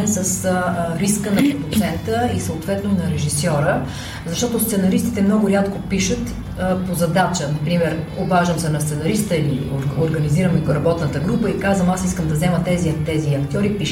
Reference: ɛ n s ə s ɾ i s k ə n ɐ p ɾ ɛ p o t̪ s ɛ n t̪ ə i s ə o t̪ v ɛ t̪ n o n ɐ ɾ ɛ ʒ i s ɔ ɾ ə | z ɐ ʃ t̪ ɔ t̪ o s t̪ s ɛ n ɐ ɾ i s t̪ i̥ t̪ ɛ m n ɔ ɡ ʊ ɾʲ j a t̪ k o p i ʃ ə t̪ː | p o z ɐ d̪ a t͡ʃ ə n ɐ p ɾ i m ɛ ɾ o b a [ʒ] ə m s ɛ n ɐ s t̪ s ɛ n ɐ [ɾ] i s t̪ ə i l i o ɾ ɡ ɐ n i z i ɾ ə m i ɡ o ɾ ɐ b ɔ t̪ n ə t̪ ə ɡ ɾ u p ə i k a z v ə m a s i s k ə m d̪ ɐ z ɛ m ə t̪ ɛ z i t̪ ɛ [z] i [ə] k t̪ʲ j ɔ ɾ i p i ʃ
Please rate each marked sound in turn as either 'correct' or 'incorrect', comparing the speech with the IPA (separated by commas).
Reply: correct, correct, correct, incorrect